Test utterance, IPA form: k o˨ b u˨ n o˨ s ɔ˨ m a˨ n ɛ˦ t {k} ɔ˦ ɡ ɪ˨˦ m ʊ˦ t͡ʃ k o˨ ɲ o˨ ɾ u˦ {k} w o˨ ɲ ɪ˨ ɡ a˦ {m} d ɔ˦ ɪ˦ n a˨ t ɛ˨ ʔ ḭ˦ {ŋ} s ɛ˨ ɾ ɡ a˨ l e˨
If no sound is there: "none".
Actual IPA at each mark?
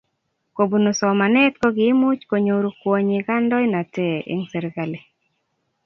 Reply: k, k, n, ŋ

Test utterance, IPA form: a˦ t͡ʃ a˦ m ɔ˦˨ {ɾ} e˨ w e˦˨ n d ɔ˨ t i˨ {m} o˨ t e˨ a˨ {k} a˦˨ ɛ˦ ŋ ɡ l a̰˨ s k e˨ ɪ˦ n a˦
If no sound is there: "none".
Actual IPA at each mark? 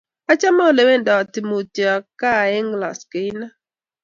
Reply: l, m, k

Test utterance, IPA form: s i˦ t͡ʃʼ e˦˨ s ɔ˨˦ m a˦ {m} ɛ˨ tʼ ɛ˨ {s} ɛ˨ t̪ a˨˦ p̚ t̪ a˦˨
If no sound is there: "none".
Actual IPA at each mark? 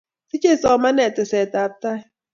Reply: n, s

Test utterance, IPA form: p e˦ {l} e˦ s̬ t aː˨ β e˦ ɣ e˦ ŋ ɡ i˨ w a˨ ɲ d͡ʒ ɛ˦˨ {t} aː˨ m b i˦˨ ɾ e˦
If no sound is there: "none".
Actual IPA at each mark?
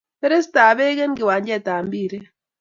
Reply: ɾ, t

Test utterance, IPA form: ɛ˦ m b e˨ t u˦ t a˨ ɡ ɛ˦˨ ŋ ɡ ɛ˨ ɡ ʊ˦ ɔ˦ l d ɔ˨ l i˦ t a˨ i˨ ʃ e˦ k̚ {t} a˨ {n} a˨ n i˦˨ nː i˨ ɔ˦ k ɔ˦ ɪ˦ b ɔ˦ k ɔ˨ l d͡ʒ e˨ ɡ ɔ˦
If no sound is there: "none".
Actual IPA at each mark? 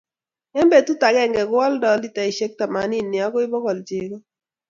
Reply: t, m

